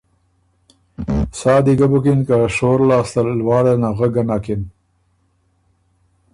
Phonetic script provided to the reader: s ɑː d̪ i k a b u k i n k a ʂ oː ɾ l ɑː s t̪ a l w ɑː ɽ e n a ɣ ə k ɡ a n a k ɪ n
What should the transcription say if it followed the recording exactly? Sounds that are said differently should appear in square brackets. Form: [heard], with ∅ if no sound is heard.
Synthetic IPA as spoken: s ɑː d̪ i [ɡ] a b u k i n k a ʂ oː ɾ l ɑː s t̪ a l w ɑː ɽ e n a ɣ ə [∅] ɡ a n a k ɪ n

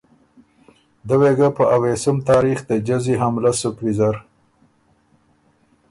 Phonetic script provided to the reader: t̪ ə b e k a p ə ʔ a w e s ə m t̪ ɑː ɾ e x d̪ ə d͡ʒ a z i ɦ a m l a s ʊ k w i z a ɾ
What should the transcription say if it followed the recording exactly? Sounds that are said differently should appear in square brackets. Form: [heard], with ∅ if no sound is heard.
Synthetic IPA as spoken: [d̪] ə [w] e [ɡ] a p ə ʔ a w e s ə m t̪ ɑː ɾ [i] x d̪ ə d͡ʒ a z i ɦ a m l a s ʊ k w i z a ɾ

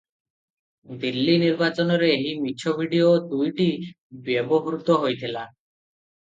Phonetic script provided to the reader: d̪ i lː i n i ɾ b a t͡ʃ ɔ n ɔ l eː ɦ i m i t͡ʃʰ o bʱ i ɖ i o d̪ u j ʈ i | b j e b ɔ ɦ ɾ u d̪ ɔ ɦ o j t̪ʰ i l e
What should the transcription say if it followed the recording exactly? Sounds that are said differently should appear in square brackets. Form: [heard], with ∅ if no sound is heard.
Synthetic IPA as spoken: d̪ i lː i n i ɾ b a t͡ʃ ɔ n ɔ [ɾ] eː ɦ i m i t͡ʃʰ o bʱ i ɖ i o d̪ u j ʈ i | b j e b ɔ ɦ ɾ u [t̪] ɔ ɦ o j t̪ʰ i l [a]

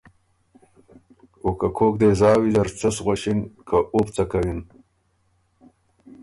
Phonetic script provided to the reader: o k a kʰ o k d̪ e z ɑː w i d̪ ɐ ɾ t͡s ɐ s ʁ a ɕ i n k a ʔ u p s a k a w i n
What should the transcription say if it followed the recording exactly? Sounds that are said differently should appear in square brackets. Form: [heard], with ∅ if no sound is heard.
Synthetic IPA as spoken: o k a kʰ o k d̪ e z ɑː w i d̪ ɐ ɾ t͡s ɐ s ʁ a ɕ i n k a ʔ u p [t͡s] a k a w i n

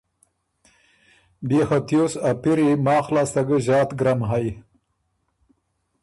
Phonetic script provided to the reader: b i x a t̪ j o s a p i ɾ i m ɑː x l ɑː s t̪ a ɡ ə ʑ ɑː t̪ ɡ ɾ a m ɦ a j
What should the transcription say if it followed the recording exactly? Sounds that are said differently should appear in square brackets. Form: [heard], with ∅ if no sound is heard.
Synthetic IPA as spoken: b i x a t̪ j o s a p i ɾ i m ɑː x l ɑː s t̪ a ɡ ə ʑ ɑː t̪ ɡ ɾ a m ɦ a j

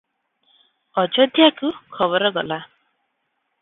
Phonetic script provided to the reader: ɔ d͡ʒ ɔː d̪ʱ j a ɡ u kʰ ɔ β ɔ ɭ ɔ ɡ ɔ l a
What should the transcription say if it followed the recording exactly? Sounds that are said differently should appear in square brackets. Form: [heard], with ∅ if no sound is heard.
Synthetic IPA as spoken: ɔ d͡ʒ [ɔ] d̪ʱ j a [k] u kʰ ɔ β ɔ [ɾ] ɔ ɡ ɔ l a

